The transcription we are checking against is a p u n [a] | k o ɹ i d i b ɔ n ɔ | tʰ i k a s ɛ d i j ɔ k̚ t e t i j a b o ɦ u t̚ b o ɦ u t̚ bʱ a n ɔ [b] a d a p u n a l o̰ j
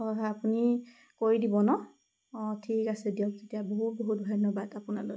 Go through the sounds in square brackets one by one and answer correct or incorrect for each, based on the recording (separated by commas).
incorrect, correct